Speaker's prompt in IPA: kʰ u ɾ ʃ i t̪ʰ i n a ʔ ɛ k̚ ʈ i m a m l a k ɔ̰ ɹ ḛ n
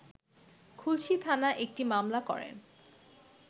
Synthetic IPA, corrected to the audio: kʰ u l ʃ i t̪ʰ a n a ʔ e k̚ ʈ i m a m l a k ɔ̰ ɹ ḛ n